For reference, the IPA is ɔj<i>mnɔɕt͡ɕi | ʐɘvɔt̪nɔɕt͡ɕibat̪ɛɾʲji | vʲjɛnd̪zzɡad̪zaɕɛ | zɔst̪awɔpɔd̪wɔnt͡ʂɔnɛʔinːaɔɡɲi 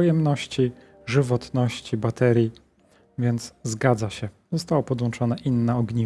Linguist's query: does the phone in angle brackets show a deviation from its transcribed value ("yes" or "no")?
yes